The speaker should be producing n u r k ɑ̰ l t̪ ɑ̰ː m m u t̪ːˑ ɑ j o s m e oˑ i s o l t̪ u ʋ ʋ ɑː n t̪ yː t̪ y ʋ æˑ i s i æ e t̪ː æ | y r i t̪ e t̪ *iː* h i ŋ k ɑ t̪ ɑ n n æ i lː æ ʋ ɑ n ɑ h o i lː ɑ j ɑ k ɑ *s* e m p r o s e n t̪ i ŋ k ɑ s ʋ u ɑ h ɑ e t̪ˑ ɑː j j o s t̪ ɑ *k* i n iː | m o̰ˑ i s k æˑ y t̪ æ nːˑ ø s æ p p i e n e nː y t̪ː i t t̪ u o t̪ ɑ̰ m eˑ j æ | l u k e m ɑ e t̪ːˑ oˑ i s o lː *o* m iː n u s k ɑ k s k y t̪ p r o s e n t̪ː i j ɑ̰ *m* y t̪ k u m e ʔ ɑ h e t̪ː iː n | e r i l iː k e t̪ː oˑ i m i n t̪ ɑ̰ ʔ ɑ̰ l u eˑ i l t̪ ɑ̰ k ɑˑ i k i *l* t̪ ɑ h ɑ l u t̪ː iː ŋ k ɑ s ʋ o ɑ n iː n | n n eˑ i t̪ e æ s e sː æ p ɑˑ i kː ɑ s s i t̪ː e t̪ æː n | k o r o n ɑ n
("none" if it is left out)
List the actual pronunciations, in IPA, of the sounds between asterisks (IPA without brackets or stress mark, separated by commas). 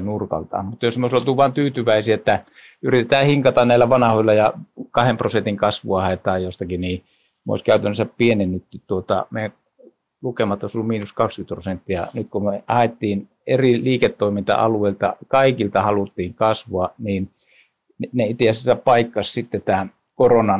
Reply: æː, h, k, u, n, l